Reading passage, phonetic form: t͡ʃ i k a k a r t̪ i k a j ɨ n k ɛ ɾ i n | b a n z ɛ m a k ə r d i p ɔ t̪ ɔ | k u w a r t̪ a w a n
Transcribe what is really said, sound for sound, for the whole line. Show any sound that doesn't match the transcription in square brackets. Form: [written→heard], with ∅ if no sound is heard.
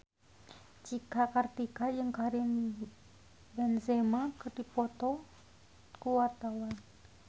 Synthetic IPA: t͡ʃ i k a k a r t̪ i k a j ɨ [n→ŋ] k [ɛ→a] ɾ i n | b [a→ɛ] n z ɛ m a k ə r d i p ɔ t̪ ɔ | k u w a r t̪ a w a n